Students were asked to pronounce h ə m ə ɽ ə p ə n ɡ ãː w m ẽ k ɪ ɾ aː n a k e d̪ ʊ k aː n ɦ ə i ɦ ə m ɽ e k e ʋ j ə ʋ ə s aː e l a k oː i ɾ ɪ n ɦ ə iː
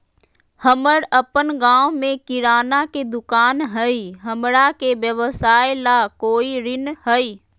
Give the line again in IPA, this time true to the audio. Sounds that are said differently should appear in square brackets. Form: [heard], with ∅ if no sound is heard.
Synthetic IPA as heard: h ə m ə ɽ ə p ə n ɡ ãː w m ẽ k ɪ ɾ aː n a k e d̪ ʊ k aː n ɦ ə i ɦ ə m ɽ [a] k e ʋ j ə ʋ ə s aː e l a k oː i ɾ ɪ n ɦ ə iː